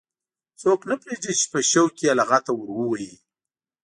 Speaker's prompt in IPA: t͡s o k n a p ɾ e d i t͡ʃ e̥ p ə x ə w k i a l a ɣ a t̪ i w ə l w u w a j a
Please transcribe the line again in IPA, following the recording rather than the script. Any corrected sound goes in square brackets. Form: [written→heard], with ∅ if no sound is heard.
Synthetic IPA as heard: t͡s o k n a p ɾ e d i t͡ʃ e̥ p ə [x→ʃ] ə w k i a l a ɣ a t̪ [i→a] w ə [l→ɾ] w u w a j [a→i]